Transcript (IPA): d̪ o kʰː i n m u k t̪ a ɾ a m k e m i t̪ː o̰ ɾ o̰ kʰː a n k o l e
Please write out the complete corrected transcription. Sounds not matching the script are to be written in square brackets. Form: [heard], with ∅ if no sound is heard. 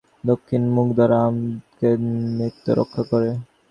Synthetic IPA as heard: d̪ o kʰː i n m u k [d̪] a ɾ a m k e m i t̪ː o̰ ɾ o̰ kʰː a [∅] k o [ɾ] e